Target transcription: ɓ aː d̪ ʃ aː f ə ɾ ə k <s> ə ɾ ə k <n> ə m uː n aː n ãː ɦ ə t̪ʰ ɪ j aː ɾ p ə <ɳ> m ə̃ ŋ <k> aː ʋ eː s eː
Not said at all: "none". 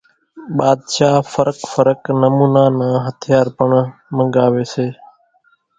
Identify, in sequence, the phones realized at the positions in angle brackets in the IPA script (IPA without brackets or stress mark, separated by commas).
f, n, ɳ, ɡ